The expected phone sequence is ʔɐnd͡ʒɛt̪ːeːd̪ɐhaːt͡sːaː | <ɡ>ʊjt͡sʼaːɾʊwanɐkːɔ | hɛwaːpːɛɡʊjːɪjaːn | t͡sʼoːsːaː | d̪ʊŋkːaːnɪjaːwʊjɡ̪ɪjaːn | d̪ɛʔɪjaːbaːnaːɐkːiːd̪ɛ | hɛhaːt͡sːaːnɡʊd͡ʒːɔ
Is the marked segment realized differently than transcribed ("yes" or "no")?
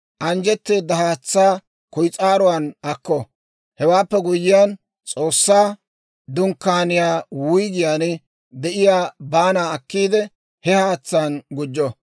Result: yes